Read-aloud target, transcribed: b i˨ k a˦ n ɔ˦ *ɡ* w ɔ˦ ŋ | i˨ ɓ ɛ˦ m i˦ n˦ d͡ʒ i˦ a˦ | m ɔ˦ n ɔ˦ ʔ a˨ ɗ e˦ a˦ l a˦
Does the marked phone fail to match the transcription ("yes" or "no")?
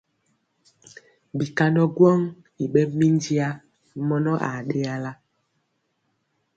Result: no